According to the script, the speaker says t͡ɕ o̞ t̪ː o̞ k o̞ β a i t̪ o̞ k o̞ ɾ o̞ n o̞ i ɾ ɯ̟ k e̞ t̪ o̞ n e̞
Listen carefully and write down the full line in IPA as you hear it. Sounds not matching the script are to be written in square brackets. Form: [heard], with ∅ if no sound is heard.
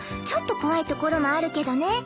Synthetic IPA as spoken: t͡ɕ o̞ t̪ː o̞ k o̞ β a i t̪ o̞ k o̞ ɾ o̞ [m] o̞ [a] ɾ ɯ̟ k e̞ [d̪] o̞ n e̞